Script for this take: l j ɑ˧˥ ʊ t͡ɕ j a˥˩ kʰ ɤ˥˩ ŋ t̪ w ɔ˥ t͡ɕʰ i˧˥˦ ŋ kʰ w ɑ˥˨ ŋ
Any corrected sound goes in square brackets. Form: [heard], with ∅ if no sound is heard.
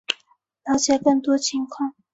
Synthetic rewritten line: l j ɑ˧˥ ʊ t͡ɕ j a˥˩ [k] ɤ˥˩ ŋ t̪ w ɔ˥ t͡ɕʰ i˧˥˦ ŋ kʰ w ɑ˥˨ ŋ